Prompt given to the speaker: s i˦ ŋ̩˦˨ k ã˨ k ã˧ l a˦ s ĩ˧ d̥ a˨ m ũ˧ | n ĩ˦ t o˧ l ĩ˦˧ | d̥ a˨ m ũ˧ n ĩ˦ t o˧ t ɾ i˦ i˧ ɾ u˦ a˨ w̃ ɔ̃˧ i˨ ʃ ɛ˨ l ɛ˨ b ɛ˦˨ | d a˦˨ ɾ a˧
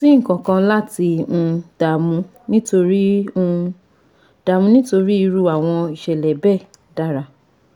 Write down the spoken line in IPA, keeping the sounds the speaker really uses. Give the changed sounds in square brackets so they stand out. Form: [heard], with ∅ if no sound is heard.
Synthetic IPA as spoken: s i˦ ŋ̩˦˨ k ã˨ k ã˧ l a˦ [t] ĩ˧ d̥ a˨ m ũ˧ | n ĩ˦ t o˧ [ɾ] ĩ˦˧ | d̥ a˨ m ũ˧ n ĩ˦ t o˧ [∅] ɾ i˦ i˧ ɾ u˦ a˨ w̃ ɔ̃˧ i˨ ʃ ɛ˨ l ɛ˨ b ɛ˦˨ | d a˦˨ ɾ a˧